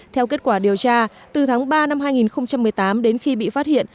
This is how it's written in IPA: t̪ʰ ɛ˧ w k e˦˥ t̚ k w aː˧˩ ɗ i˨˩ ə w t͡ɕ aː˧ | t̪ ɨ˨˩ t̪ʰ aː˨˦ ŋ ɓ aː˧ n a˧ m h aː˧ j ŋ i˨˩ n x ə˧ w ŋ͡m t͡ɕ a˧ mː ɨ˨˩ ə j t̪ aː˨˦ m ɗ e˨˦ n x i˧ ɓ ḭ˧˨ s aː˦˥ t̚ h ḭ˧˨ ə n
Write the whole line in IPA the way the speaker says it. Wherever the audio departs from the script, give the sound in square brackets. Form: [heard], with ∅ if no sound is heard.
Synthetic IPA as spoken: t̪ʰ ɛ˧ w k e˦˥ t̚ k w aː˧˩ ɗ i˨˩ ə w t͡ɕ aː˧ | t̪ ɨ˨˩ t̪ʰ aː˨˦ ŋ ɓ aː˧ n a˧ m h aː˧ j ŋ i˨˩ n x ə˧ w ŋ͡m t͡ɕ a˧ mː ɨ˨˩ ə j t̪ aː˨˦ m ɗ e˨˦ n x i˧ ɓ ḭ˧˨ [f] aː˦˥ t̚ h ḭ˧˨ ə n